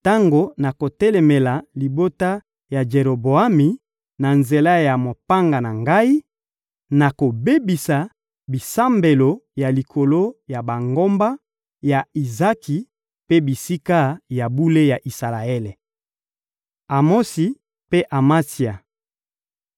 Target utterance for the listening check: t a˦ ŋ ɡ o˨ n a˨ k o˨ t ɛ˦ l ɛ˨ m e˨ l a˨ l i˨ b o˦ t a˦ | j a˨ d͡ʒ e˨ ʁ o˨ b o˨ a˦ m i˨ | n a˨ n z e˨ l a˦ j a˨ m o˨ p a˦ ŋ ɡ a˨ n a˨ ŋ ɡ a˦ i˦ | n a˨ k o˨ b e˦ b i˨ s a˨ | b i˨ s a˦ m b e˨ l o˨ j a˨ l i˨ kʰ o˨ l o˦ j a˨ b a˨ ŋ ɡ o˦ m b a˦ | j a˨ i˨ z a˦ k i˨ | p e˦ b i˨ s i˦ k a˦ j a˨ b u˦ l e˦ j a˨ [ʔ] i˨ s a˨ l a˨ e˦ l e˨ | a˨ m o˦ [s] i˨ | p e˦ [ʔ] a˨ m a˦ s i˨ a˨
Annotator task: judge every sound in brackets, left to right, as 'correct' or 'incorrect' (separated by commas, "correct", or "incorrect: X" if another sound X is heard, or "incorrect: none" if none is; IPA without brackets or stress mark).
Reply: correct, correct, correct